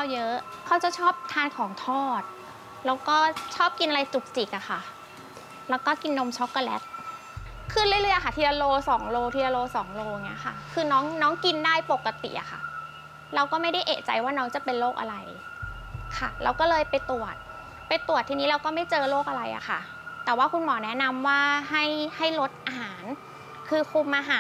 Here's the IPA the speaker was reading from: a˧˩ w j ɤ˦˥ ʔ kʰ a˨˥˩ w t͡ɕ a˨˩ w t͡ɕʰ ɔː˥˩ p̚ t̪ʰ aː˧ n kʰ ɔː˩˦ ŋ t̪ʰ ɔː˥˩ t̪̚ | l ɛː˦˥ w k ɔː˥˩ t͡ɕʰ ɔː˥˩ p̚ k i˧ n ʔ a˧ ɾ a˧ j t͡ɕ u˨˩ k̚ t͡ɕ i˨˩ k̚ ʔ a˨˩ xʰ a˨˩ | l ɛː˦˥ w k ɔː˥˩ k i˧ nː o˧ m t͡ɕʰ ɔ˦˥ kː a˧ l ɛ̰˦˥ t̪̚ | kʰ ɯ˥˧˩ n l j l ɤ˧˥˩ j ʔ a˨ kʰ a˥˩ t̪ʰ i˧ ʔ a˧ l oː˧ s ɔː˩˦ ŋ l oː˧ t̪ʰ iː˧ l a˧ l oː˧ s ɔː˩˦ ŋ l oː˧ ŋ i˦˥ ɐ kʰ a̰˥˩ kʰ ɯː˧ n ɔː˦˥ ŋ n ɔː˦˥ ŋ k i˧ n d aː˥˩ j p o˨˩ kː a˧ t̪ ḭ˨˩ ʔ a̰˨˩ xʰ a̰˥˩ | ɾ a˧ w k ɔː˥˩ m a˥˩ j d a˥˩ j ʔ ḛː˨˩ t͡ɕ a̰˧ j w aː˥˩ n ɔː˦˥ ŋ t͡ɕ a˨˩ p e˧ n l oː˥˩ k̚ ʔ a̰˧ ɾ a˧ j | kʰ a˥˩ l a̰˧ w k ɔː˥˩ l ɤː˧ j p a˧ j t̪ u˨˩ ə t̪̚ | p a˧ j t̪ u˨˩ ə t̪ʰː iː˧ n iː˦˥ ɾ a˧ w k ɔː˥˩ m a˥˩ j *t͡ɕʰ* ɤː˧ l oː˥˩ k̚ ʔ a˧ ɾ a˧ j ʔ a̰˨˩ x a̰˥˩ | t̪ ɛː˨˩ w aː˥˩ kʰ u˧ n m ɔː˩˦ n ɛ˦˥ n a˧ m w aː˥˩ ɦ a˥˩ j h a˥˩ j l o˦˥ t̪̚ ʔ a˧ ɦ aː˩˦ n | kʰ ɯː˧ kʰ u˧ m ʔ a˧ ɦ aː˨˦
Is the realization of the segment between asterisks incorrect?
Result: yes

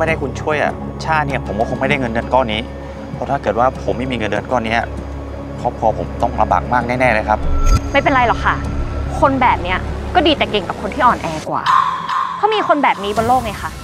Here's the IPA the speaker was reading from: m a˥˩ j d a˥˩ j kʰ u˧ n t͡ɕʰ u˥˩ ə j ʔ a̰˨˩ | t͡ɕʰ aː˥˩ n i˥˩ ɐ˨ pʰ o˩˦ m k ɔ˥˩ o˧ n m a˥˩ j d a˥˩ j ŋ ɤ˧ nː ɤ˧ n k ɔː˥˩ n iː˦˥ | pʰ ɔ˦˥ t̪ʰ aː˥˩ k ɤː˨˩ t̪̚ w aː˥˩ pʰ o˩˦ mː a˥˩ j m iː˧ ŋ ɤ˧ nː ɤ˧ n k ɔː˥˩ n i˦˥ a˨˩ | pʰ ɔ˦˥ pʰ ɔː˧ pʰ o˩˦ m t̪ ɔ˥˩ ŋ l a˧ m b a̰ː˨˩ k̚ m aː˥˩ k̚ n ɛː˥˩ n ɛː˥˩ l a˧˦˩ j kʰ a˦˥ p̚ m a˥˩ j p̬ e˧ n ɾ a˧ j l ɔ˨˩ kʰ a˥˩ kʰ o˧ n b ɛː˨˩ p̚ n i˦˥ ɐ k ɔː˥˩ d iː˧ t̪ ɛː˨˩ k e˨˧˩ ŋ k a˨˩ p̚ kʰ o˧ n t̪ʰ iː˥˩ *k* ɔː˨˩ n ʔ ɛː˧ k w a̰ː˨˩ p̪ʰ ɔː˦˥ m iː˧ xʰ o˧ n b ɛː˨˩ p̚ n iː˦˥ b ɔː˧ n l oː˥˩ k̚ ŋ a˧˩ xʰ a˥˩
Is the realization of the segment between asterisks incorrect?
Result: yes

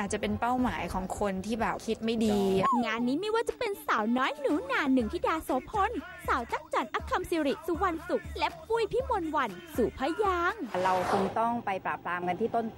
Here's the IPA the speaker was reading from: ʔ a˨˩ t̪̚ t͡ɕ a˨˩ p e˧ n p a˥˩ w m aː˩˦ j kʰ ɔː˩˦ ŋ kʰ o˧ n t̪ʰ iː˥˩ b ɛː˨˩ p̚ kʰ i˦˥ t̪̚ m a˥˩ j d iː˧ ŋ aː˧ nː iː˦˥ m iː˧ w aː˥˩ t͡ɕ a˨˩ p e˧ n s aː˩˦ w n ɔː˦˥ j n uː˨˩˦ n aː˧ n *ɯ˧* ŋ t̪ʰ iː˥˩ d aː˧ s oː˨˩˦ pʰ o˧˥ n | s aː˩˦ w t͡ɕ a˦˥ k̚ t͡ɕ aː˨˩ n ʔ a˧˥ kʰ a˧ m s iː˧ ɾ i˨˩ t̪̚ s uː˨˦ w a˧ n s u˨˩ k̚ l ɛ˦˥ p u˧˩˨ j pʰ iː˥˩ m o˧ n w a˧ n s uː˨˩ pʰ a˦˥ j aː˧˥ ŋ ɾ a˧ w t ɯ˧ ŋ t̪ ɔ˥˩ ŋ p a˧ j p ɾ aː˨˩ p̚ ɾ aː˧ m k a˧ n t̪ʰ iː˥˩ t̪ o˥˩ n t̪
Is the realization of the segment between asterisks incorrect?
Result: yes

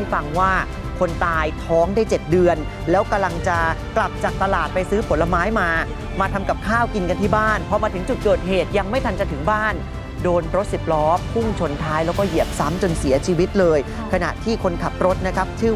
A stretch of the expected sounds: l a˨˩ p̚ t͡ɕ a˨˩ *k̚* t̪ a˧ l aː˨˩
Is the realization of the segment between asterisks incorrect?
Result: no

